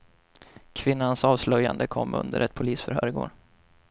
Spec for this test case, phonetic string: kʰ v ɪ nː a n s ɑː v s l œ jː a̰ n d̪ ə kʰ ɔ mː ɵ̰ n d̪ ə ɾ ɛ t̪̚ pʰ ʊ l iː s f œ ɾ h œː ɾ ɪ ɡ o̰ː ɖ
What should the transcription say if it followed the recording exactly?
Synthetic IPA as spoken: kʰ v ɪ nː a n s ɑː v s l œ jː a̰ n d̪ ə kʰ ɔ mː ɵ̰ n d̪ ə ɾ ɛ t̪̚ pʰ ʊ l iː s f œ ɾ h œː ɾ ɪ ɡ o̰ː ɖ